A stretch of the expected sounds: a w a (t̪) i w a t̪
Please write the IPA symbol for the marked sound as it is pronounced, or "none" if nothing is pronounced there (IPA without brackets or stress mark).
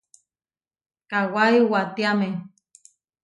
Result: none